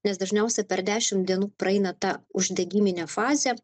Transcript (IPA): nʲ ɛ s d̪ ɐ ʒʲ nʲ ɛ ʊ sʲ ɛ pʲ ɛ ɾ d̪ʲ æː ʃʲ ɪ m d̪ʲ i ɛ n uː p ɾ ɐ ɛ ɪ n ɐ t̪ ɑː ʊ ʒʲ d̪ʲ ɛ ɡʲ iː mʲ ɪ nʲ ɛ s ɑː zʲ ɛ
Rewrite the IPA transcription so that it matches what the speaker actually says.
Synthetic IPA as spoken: nʲ ɛ s d̪ ɐ ʒʲ nʲ ɛ ʊ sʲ ɛ pʲ ɛ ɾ d̪ʲ æː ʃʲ ɪ m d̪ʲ i ɛ n uː p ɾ ɐ ɛ ɪ n ɐ t̪ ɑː ʊ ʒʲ d̪ʲ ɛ ɡʲ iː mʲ ɪ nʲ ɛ f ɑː zʲ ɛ